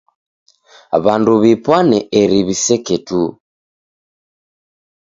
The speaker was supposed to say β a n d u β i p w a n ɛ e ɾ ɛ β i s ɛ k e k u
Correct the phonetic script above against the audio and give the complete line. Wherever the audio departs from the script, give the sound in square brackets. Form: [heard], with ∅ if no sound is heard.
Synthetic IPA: β a n d u β i p w a n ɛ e ɾ [i] β i s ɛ k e [t] u